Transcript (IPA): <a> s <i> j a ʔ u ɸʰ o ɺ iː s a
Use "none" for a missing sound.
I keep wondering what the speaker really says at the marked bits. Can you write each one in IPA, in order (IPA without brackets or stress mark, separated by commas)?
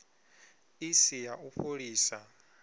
i, i